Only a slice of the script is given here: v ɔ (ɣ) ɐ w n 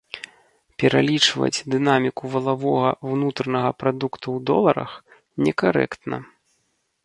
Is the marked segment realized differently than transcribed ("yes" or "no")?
no